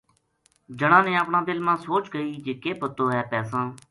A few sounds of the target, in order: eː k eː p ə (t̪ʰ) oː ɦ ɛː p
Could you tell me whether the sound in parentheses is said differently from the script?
yes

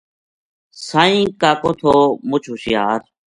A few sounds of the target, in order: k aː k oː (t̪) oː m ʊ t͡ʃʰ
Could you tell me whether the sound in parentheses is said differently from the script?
yes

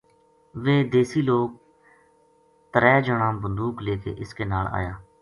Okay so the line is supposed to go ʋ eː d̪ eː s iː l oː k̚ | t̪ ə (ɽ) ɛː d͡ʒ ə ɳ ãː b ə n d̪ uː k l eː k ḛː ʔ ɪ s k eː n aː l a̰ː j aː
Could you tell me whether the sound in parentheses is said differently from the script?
yes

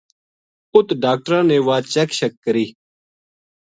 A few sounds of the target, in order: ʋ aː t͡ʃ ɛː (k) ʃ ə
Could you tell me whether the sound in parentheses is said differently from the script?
no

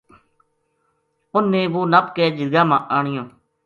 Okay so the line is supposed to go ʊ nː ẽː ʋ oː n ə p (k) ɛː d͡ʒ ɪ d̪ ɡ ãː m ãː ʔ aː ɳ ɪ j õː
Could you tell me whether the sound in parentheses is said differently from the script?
no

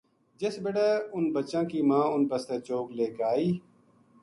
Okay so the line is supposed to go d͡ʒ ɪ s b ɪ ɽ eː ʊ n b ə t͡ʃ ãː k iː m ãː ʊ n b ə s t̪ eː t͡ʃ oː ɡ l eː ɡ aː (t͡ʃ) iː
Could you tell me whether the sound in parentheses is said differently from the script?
yes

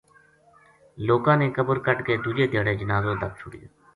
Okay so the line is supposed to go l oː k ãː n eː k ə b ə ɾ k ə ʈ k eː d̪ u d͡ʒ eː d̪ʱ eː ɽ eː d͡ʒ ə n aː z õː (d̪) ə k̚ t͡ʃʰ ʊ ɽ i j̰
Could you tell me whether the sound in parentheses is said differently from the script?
no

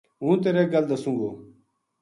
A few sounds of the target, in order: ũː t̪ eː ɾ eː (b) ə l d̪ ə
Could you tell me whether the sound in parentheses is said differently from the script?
yes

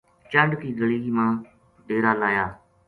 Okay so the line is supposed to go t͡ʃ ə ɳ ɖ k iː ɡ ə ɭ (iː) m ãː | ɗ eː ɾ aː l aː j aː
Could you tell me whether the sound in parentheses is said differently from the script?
no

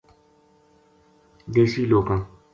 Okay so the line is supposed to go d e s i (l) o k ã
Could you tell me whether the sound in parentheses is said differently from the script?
no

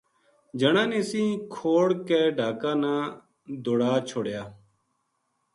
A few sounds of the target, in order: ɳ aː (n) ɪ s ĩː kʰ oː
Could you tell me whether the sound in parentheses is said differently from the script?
no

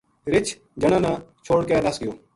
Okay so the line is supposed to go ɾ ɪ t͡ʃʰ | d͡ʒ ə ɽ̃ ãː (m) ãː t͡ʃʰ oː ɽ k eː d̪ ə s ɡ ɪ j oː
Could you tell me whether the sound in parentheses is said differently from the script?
yes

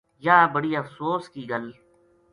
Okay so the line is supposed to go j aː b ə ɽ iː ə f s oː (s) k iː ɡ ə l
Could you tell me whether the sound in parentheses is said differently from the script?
no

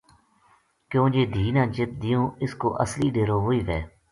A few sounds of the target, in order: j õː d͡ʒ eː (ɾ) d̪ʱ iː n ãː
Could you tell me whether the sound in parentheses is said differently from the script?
yes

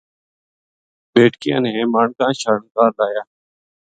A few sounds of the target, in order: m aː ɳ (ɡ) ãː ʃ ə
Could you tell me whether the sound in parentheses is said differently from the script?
yes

